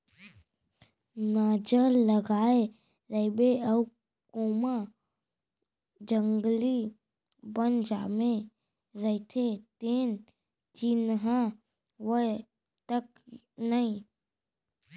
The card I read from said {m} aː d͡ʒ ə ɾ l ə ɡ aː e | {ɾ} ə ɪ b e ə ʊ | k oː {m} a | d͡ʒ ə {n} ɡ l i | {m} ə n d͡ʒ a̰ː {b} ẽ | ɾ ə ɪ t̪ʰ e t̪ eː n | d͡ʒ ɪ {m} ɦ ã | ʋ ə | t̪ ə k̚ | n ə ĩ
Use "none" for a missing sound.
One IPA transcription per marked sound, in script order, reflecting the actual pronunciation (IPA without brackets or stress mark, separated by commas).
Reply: n, ɾ, m, ŋ, b, m, n